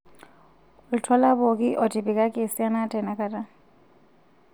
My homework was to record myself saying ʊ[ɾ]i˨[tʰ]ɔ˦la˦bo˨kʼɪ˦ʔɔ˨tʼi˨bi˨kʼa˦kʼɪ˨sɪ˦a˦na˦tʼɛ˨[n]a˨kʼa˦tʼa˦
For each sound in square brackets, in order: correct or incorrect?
incorrect: l, correct, correct

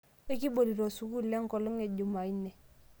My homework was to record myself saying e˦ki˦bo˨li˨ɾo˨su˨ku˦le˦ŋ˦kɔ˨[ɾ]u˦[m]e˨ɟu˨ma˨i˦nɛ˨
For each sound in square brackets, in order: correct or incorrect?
incorrect: l, incorrect: ŋ

